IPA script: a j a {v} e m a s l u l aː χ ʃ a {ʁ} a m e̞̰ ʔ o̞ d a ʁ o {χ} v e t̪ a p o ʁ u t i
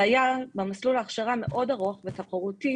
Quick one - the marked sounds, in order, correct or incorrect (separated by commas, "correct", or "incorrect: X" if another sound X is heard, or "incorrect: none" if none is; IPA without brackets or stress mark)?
incorrect: b, correct, correct